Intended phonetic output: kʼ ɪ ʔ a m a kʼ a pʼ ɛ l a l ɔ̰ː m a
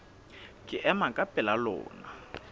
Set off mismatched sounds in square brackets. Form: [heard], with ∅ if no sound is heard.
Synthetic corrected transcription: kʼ ɪ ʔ [ɛ] m a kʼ a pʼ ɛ l a l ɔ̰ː [n] a